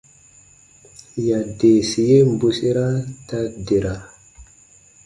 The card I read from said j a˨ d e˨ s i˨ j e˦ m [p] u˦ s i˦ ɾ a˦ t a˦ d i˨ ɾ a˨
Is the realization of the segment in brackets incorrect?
yes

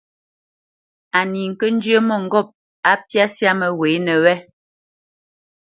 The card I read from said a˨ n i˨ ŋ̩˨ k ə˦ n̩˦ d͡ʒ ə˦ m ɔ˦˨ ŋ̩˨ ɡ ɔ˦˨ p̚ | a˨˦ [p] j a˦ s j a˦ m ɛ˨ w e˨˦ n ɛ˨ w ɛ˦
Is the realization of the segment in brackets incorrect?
no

